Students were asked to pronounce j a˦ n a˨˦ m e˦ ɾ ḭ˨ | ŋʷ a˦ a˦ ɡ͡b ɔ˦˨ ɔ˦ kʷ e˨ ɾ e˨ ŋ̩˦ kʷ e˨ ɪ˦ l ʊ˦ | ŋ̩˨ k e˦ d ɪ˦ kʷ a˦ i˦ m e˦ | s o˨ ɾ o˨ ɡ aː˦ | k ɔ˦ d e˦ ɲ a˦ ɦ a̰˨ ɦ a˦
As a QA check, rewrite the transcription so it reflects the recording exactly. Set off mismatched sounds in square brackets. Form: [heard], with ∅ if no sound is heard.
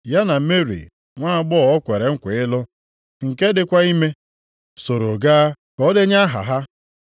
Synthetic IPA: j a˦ n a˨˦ m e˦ ɾ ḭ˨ | ŋʷ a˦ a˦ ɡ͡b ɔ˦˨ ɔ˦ kʷ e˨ ɾ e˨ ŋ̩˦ kʷ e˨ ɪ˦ l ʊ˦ | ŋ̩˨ k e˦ d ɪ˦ kʷ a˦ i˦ m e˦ | s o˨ ɾ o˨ ɡ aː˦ | k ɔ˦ d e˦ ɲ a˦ ɦ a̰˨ ɦ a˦